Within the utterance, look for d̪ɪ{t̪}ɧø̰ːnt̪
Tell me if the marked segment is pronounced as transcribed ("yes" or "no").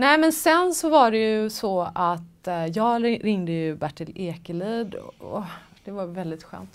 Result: yes